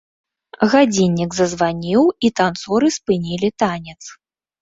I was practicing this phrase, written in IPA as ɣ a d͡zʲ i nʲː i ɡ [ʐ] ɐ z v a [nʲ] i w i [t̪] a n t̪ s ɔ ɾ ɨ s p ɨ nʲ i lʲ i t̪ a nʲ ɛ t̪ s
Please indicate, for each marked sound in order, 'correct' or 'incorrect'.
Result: incorrect: z, correct, correct

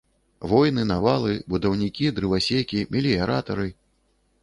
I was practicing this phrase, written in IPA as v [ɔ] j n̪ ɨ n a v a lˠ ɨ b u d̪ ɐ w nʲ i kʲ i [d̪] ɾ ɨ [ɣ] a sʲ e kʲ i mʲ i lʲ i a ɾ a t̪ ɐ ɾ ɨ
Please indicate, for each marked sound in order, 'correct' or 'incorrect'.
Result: correct, correct, incorrect: v

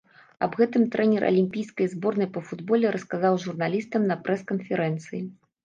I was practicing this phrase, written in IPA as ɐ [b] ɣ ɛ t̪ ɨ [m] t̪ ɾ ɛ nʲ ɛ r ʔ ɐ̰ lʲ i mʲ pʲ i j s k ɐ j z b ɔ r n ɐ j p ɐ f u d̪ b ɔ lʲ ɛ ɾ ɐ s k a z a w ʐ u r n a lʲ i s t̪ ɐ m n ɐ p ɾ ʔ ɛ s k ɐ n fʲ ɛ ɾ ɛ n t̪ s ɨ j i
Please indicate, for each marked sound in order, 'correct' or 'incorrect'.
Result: correct, correct

